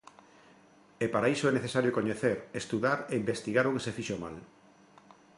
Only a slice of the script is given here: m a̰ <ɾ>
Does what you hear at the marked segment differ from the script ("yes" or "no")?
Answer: yes